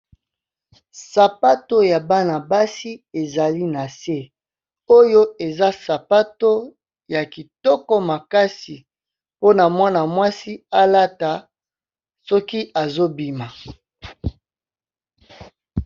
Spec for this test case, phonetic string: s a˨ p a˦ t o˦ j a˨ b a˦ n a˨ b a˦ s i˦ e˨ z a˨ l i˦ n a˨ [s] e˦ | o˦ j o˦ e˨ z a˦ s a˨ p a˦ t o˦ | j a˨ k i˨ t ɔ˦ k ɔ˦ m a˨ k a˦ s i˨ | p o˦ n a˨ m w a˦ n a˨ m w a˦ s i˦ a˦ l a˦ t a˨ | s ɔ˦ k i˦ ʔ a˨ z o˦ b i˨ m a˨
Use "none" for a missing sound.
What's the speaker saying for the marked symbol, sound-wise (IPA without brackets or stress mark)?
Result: s